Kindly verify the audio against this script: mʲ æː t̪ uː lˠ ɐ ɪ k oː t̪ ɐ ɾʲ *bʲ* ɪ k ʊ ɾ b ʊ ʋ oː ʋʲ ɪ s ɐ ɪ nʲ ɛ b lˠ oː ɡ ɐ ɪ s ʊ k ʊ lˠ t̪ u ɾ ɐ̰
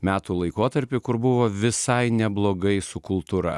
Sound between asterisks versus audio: incorrect: pʲ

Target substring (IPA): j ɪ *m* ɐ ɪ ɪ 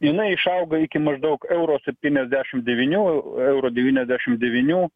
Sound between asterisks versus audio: incorrect: n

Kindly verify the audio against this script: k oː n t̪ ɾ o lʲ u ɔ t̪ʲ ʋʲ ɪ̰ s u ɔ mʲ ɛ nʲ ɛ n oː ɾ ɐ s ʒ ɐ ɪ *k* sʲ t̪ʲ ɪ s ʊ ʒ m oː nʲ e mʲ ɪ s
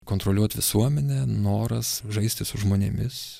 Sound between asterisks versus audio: incorrect: none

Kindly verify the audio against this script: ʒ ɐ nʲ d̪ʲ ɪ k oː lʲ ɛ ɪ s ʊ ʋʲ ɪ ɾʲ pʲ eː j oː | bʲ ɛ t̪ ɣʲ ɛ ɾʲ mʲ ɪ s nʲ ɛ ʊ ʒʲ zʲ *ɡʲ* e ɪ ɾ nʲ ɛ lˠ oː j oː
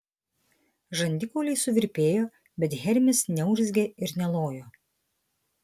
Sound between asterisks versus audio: correct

